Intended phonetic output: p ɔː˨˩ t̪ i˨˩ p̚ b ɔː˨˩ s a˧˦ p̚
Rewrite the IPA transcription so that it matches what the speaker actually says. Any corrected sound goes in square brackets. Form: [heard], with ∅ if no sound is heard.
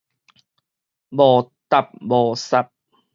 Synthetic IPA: [b] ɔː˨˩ t̪ [a˨˩] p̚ b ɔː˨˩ s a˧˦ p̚